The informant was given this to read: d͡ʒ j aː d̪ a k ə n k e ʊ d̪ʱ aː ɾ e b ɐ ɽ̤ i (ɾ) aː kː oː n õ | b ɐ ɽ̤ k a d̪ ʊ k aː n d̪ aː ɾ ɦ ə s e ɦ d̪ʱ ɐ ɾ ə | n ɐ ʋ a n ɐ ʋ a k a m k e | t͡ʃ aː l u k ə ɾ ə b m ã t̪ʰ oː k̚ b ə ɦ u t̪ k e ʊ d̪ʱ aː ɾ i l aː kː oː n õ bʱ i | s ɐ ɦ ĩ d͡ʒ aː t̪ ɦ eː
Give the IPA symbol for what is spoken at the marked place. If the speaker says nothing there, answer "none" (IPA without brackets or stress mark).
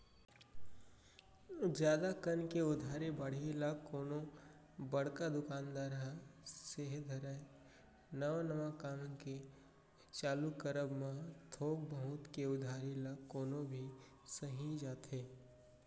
l